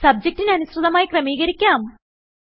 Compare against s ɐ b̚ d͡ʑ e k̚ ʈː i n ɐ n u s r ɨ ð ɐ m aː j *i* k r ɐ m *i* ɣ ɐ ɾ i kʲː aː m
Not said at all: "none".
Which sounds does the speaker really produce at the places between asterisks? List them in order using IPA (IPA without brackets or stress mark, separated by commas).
i, iː